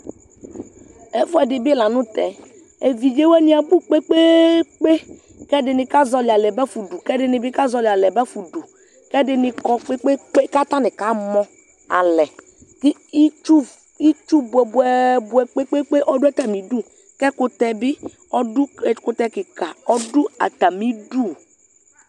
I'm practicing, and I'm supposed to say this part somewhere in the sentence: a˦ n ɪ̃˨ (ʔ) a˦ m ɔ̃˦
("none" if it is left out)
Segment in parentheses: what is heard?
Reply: k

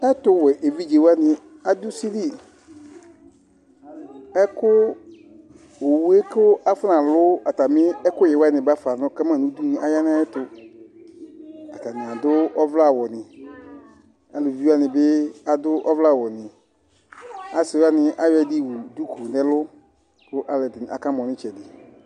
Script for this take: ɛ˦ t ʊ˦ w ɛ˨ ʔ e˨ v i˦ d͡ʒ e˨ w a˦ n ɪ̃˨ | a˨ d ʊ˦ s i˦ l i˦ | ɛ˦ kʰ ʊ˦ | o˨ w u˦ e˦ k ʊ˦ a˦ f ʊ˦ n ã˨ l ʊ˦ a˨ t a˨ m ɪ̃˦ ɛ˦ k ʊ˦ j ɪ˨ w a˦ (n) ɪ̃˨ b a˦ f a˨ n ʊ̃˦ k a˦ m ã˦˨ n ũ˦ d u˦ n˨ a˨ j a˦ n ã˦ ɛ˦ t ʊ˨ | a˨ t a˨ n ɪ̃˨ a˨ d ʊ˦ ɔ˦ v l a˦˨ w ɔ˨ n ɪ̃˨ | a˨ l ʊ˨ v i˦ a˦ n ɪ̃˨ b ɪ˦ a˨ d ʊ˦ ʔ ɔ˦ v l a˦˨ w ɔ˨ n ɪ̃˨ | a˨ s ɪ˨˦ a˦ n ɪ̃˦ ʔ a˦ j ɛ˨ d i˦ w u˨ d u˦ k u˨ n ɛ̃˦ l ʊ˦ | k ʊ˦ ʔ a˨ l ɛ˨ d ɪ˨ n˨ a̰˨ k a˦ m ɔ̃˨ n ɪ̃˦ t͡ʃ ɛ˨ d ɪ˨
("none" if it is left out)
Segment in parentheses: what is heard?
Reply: n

